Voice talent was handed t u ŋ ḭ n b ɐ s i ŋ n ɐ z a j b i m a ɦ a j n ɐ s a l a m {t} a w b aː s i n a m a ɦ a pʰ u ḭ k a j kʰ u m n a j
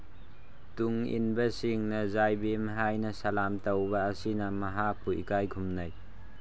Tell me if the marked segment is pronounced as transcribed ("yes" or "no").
yes